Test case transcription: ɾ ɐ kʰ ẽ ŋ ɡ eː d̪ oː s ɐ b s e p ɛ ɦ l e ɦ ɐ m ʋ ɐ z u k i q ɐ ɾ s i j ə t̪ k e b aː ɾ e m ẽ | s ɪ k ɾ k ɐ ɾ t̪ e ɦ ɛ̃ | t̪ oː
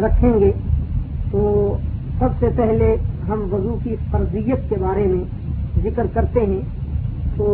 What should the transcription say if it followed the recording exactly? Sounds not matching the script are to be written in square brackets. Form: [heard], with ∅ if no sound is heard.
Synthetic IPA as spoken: ɾ ɐ kʰ ẽ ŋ ɡ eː [t̪] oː s ɐ b s e p ɛ ɦ l e ɦ ɐ m ʋ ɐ z u k i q ɐ ɾ [z] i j ə t̪ k e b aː ɾ e m ẽ | [z] ɪ k ɾ k ɐ ɾ t̪ e ɦ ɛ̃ | t̪ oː